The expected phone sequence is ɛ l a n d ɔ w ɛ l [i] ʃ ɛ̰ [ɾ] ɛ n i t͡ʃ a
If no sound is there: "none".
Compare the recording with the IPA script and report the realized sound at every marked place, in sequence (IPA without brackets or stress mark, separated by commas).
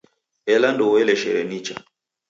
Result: ɛ, ɾ